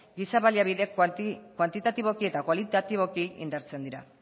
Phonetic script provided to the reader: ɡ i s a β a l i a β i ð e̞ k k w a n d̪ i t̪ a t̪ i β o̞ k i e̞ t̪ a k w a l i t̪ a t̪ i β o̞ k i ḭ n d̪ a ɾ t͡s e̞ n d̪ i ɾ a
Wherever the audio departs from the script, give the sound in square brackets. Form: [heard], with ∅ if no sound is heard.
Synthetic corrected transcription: ɡ i s a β a l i a β i ð e̞ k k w a n [t̪] i t̪ a t̪ i β o̞ k i e̞ t̪ a k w a l i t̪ a t̪ i β o̞ k i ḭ n d̪ a ɾ t͡s e̞ n d̪ i ɾ a